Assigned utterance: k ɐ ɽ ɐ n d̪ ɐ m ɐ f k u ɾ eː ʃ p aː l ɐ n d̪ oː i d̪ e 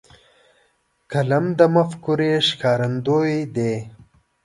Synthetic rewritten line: k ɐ l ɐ m d̪ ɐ m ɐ f k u ɾ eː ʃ k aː ɾ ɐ n d̪ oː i d̪ e